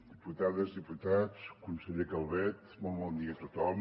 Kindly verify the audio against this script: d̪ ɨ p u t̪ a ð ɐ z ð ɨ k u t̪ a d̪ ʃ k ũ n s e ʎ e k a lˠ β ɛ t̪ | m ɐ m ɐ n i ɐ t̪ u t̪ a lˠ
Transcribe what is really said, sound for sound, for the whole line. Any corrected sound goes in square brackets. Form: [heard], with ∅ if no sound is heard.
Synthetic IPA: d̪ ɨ p u t̪ a ð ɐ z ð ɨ [p] u t̪ a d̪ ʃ k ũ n s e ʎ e k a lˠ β ɛ t̪ | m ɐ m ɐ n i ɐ t̪ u t̪ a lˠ